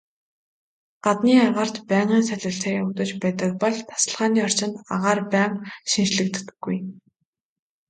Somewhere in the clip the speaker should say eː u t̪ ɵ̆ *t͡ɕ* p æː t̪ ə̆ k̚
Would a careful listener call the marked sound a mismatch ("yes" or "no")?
no